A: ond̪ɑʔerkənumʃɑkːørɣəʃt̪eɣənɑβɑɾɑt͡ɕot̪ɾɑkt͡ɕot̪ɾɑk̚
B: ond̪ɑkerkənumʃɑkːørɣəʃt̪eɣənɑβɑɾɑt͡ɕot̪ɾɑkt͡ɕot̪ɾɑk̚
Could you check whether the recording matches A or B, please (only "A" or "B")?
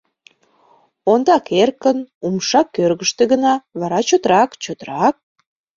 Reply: B